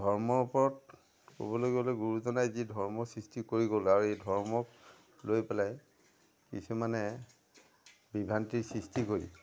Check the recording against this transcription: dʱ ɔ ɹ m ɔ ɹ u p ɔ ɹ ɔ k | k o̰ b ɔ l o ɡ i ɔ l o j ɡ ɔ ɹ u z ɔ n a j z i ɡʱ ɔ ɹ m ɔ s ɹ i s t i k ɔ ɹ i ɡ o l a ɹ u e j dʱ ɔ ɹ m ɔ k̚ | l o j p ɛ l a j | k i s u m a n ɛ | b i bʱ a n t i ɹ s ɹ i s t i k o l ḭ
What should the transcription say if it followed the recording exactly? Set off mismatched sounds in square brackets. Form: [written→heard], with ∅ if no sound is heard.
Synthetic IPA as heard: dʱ ɔ ɹ m ɔ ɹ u p ɔ ɹ ɔ [k→t] | k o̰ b ɔ l o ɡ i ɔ l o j ɡ [ɔ→u] ɹ u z ɔ n a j z i [ɡʱ→dʱ] ɔ ɹ m ɔ s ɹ i s t i k [ɔ→o] ɹ i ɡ o l a ɹ u e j dʱ ɔ ɹ m ɔ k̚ | l o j p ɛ l a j | k i s u m a n ɛ | b i bʱ a n t i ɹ s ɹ i s t i k o [l→ɹ] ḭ